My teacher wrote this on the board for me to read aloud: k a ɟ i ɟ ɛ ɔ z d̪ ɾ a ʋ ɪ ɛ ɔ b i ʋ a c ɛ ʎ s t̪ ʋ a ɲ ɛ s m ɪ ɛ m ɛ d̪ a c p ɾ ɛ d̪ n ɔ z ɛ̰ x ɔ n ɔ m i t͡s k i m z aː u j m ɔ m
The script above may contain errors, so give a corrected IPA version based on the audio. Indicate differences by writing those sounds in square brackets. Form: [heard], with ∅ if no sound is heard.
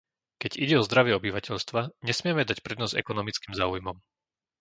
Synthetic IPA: k [ɛ] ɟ i ɟ ɛ ɔ z d̪ ɾ a ʋ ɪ ɛ ɔ b i ʋ a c ɛ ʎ s t̪ ʋ a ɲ ɛ s m ɪ ɛ m ɛ d̪ a c p ɾ ɛ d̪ n ɔ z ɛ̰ [k] ɔ n ɔ m i t͡s k i m z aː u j m ɔ m

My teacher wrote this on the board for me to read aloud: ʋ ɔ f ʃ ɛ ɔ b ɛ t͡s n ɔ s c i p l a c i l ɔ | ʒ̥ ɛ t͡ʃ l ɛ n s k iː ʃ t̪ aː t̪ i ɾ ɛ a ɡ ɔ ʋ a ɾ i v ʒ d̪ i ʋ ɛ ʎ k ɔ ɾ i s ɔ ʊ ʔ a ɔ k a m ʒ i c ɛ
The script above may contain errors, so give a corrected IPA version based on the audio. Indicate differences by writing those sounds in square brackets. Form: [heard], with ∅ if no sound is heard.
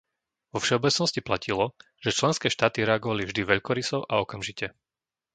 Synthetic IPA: ʋ ɔ f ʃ ɛ ɔ b ɛ t͡s n ɔ s c i p l a c i l ɔ | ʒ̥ ɛ t͡ʃ l ɛ n s k [ɛː] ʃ t̪ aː t̪ i ɾ ɛ a ɡ ɔ ʋ a [l] i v ʒ d̪ i ʋ ɛ ʎ k ɔ ɾ i s ɔ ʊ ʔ a ɔ k a m ʒ i c ɛ

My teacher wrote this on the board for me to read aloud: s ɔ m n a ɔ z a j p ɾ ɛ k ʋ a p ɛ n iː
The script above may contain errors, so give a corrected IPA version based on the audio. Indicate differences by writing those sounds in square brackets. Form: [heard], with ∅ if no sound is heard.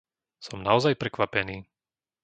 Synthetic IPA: s ɔ m n a ɔ z a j p ɾ ɛ k ʋ a p ɛ n iː

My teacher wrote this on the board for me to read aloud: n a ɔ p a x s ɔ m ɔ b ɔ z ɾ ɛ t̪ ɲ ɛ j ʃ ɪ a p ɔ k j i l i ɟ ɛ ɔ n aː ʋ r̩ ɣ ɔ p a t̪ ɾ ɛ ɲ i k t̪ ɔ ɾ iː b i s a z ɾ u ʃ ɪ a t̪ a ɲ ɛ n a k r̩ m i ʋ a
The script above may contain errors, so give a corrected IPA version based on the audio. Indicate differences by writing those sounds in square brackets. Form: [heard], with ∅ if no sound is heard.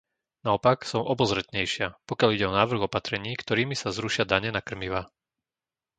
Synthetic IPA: n a ɔ p a [k] s ɔ m ɔ b ɔ z ɾ ɛ t̪ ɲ ɛ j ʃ ɪ a p ɔ k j [a] l i ɟ ɛ ɔ n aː ʋ r̩ ɣ ɔ p a t̪ ɾ ɛ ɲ [iː] k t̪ ɔ ɾ iː [m] i s a z ɾ u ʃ ɪ a [d̪] a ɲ ɛ n a k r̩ m i ʋ a

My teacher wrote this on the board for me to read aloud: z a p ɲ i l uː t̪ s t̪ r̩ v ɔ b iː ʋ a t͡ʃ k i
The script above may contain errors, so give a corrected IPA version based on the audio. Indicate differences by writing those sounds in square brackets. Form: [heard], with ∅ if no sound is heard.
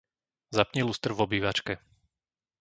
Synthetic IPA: z a p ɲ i l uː [∅] s t̪ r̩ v ɔ b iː ʋ a t͡ʃ k [ɛ]

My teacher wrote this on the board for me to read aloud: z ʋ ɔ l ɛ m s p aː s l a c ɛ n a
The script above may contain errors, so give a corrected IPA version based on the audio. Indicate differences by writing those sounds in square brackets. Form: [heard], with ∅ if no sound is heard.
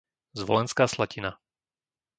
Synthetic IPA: z ʋ ɔ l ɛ [n] s [k] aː s l a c [i] n a

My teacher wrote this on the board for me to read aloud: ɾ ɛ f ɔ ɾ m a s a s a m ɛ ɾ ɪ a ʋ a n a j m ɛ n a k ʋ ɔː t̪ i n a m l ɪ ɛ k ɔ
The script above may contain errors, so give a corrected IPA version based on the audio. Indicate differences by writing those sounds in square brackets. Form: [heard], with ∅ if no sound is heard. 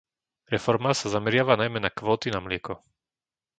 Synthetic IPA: ɾ ɛ f ɔ ɾ m a s a [z] a m ɛ ɾ ɪ a ʋ a n a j m ɛ n a k ʋ ɔː t̪ i n a m l ɪ ɛ k ɔ

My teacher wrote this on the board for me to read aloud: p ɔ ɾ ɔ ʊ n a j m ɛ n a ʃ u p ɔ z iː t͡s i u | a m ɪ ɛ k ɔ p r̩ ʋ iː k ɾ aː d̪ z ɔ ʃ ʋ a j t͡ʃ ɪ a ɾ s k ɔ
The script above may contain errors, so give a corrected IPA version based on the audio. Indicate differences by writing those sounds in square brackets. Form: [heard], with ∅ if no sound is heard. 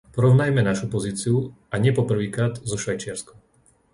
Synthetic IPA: p ɔ ɾ ɔ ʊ n a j m ɛ n a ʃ u p ɔ z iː t͡s i u | a [ɲ] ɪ ɛ [p] ɔ p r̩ ʋ iː k ɾ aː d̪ z ɔ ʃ ʋ a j t͡ʃ ɪ a ɾ s k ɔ

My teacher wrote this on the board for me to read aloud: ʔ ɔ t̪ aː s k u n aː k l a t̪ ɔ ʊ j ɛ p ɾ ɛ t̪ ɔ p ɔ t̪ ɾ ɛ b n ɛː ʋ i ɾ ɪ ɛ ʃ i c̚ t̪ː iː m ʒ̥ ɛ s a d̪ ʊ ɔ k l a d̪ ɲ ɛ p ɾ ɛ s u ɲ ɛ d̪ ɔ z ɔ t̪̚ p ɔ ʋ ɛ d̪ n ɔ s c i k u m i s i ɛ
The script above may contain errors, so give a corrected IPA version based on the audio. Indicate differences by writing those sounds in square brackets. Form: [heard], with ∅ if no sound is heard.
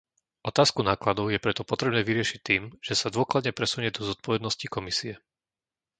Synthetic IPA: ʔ ɔ t̪ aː s k u n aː k l a [d̪] ɔ ʊ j ɛ p ɾ ɛ t̪ ɔ p ɔ t̪ ɾ ɛ b n ɛː ʋ i ɾ ɪ ɛ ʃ i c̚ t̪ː iː m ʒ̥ ɛ s a d̪ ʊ ɔ k l a d̪ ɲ ɛ p ɾ ɛ s u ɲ ɛ d̪ ɔ z ɔ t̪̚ p ɔ ʋ ɛ d̪ n ɔ s c i k [ɔ] m i s i ɛ

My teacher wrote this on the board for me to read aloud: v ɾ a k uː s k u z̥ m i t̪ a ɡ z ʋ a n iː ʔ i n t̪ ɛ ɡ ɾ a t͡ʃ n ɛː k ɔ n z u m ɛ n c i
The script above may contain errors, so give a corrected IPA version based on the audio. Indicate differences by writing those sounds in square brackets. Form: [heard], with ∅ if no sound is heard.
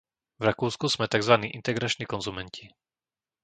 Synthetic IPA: v ɾ a k uː s k u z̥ m [ɛ] t̪ a ɡ z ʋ a n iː ʔ i n t̪ ɛ ɡ ɾ a t͡ʃ n [iː] k ɔ n z u m ɛ n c i

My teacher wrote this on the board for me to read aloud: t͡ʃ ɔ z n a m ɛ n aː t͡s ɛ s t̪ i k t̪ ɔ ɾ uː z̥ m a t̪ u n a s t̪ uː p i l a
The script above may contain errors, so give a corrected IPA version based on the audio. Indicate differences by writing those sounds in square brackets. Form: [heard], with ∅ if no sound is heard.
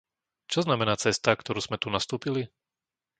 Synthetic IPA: t͡ʃ ɔ z n a m ɛ n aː t͡s ɛ s t̪ [a] k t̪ ɔ ɾ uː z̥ m [ɛ] t̪ u n a s t̪ uː p i l [i]

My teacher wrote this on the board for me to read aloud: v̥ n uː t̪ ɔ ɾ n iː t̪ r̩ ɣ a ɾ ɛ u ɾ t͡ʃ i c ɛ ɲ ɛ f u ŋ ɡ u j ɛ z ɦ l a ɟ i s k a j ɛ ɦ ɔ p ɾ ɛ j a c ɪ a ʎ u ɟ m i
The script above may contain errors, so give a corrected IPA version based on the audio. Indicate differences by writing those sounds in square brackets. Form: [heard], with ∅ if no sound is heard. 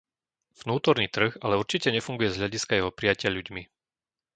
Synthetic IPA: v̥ n uː t̪ ɔ ɾ n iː t̪ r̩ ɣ a [l] ɛ u ɾ t͡ʃ i c ɛ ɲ ɛ f u ŋ ɡ u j ɛ z ɦ [ʎ] a ɟ i s k a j ɛ ɦ ɔ p ɾ [i] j a c ɪ a ʎ u ɟ m i

